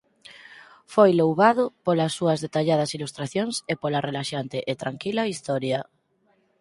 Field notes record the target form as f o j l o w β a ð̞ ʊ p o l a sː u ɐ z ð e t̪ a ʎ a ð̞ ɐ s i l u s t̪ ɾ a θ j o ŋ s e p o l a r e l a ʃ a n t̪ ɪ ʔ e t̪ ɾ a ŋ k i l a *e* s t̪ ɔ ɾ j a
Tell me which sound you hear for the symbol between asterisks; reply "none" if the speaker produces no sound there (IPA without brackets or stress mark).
i